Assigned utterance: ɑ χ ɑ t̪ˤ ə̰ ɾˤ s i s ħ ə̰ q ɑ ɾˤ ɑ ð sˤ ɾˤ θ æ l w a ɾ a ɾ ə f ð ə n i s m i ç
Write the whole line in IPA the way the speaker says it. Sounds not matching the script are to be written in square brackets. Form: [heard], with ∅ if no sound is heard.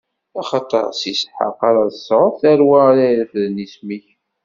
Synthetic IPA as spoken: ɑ χ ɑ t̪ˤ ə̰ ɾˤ s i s ħ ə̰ q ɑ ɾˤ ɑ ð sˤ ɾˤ θ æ [ɾ] w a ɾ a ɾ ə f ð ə n i s m i ç